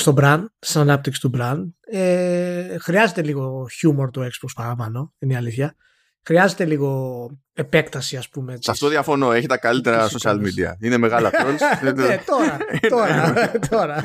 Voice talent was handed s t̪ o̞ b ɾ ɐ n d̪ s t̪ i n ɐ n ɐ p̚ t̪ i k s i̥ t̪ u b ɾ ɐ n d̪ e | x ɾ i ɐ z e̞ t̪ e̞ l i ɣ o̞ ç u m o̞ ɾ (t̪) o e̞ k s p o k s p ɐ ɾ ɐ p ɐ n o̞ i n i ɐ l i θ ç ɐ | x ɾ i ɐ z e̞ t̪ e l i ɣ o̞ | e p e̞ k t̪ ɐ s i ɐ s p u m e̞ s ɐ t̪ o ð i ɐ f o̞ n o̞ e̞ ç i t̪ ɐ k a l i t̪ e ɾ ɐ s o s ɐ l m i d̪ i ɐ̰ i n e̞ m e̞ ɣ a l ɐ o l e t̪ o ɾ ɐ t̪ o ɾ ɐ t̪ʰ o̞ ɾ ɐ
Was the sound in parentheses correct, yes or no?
yes